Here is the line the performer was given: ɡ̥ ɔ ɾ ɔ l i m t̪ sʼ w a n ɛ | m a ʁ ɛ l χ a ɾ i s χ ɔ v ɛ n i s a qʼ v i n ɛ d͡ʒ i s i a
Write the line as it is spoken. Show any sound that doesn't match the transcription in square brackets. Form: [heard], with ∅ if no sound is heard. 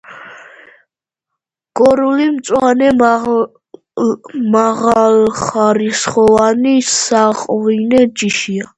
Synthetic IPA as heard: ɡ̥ ɔ ɾ [u] l i m t̪ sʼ w a n ɛ | m a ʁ [a] l χ a ɾ i s χ ɔ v [a] n i s a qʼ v i n ɛ d͡ʒ i [ʃ] i a